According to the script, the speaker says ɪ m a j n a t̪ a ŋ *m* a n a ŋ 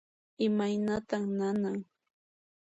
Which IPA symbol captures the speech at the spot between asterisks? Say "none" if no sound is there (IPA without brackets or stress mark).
n